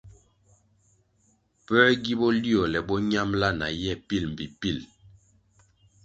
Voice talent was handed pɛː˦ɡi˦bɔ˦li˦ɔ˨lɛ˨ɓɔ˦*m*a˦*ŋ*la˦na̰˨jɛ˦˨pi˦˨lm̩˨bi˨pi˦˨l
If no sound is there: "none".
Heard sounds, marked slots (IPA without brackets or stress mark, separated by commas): ɲ, m